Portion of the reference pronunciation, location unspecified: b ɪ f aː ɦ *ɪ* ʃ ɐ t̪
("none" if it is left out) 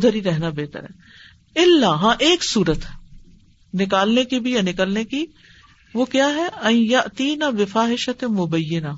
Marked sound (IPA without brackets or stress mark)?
ɪ